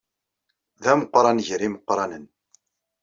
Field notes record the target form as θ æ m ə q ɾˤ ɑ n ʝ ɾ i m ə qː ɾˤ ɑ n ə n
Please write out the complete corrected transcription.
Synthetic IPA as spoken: ð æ m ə q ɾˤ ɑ n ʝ ɾ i m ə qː ɾˤ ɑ n ə n

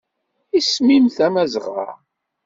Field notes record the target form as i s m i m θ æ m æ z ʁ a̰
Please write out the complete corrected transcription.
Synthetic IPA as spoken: i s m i m θ æ m æ z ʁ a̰

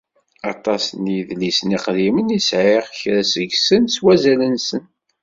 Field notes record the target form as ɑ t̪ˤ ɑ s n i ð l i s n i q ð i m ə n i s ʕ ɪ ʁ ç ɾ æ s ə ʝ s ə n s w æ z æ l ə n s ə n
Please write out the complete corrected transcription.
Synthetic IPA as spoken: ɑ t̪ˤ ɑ s n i ð l i s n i q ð i m ə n i s ʕ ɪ ʁ ç ɾ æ s ə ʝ s ə n s w æ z æ l ə n s ə n

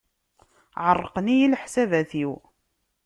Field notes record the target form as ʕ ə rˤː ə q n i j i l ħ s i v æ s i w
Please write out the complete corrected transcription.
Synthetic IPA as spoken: ʕ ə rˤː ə q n i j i l ħ s æ v æ θ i w

